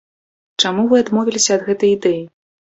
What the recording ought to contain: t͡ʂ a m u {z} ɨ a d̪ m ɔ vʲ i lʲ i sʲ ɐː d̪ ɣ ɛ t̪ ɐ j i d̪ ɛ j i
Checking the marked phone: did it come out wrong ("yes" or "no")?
yes